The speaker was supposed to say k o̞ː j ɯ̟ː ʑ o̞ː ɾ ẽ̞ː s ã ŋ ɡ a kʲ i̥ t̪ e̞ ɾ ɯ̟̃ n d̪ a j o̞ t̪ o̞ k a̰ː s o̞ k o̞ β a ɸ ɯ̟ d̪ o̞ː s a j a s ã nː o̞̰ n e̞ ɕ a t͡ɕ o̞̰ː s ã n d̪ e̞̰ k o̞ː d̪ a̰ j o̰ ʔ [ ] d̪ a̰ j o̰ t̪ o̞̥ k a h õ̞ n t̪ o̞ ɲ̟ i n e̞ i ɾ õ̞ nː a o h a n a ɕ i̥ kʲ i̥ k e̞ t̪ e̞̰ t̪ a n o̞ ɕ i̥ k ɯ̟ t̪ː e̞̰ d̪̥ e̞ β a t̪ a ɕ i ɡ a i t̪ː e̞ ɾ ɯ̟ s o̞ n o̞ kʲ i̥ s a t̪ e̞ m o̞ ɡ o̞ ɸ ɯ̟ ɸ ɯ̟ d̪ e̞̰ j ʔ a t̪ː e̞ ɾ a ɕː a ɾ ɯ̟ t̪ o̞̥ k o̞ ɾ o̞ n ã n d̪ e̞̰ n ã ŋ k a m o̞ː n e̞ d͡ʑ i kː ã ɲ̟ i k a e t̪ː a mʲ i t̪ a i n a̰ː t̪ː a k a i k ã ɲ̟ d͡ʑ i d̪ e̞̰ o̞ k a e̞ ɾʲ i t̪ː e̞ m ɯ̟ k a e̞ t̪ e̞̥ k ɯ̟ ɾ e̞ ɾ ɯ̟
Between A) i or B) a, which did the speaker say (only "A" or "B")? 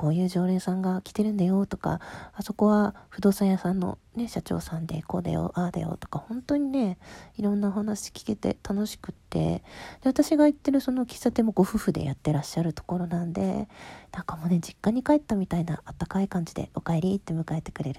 B